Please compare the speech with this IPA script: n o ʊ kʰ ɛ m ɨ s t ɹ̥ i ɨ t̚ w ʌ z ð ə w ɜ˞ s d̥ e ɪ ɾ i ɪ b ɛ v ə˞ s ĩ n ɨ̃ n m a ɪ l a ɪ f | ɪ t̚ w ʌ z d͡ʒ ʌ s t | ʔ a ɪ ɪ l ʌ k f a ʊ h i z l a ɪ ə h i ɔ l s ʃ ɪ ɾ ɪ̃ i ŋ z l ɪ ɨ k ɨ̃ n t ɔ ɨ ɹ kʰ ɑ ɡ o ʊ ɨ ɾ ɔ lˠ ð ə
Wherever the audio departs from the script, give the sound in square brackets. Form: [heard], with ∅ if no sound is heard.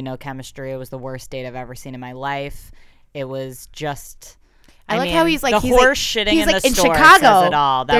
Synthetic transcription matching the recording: n o ʊ kʰ ɛ m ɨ s t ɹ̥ i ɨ t̚ w ʌ z ð ə w ɜ˞ s d̥ e ɪ ɾ [a] ɪ [v] ɛ v ə˞ s ĩ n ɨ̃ n m a ɪ l a ɪ f | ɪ t̚ w ʌ z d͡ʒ ʌ s t | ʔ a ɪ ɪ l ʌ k [h] a ʊ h i z l a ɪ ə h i ɔ [ɹ] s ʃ ɪ ɾ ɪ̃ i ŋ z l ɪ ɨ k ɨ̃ n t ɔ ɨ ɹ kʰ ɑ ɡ o ʊ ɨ ɾ ɔ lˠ ð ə